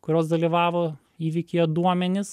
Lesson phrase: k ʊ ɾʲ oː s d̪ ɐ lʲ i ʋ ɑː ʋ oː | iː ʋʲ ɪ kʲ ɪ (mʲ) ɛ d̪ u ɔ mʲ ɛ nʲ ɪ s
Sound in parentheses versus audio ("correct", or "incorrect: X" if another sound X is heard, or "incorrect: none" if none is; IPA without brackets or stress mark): incorrect: none